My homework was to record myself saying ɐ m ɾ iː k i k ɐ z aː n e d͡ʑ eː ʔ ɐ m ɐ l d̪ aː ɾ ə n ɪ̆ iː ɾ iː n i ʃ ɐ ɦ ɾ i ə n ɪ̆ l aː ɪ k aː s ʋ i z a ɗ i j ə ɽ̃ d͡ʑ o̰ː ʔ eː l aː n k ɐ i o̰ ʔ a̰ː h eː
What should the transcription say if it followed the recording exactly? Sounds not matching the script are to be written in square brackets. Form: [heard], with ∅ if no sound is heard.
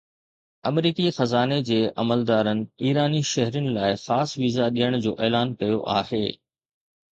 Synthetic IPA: ɐ m ɾ iː k i [x] ɐ z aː n e d͡ʑ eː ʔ ɐ m [ə] l d̪ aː ɾ ə n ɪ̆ iː ɾ [aː] n i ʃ ɐ ɦ ɾ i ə n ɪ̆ l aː ɪ [x] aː s ʋ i z a ɗ i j ə ɽ̃ d͡ʑ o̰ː ʔ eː l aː n k ɐ [j] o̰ ʔ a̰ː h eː